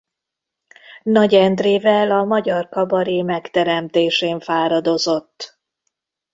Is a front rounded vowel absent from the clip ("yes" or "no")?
yes